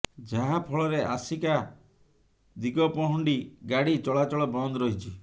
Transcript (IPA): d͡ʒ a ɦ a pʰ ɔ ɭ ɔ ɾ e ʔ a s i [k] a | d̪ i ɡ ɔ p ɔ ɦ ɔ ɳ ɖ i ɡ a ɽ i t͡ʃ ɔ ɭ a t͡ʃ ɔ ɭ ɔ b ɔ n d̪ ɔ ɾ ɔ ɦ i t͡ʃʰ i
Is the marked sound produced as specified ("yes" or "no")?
yes